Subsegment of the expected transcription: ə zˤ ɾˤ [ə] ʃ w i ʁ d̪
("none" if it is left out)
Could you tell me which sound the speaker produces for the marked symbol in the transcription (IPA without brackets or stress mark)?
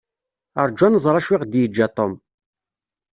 ɑ